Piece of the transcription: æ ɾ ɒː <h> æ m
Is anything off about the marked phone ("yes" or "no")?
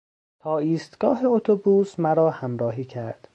no